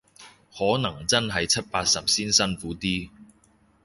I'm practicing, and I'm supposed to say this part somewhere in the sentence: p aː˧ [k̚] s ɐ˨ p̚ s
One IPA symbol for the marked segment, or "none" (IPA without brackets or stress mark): t̚